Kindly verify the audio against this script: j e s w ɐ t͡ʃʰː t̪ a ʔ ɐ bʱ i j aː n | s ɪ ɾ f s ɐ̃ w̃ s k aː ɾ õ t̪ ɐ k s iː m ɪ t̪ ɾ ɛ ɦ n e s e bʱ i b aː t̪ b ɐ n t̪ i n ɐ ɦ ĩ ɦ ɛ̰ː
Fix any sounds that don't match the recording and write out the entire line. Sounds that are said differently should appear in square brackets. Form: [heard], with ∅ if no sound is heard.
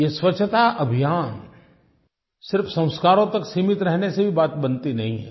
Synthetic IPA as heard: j e s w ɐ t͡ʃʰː t̪ a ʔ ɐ bʱ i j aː n | s ɪ ɾ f s ɐ̃ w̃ s k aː ɾ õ t̪ ɐ k s iː m ɪ t̪ ɾ ɛ ɦ n e s e bʱ i b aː t̪ b ɐ n t̪ i n ɐ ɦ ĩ ɦ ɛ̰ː

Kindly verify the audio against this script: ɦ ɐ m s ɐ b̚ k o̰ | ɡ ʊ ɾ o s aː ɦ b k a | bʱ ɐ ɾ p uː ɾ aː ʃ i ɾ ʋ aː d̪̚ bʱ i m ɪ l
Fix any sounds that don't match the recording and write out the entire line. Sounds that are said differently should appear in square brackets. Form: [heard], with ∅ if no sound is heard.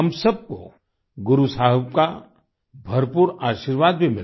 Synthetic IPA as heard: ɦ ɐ m s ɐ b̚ k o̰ | ɡ ʊ ɾ [u] s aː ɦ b k a | bʱ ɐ ɾ p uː ɾ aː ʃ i ɾ ʋ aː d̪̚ bʱ i m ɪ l

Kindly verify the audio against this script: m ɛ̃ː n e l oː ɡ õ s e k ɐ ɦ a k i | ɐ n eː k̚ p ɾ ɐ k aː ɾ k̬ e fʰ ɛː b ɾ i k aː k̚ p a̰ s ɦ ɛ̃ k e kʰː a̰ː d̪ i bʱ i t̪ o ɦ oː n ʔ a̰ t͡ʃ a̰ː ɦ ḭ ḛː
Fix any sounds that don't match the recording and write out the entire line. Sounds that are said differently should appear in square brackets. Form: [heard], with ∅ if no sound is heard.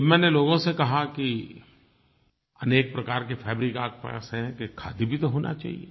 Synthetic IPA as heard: m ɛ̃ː n e l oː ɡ õ s e k ɐ ɦ a k i | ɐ n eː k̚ p ɾ ɐ k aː ɾ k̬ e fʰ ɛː b ɾ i k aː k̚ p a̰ s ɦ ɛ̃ k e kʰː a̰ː d̪ i bʱ i t̪ o ɦ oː n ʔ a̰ t͡ʃ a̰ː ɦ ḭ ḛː

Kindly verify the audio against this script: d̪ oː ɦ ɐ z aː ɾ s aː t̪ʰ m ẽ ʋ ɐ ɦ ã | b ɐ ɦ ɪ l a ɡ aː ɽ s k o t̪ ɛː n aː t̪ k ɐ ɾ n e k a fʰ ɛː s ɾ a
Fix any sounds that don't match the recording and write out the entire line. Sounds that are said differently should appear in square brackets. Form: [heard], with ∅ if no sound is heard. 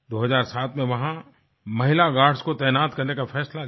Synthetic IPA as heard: d̪ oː ɦ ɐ z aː ɾ s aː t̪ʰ m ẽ ʋ ɐ ɦ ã | [m] ɐ ɦ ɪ l a ɡ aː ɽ s k o t̪ ɛː n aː t̪ k ɐ ɾ n e k a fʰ ɛː s [l] a

